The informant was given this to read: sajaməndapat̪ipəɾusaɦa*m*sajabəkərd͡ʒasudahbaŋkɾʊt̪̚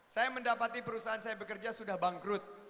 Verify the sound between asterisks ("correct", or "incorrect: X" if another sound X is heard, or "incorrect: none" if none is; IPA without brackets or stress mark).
incorrect: n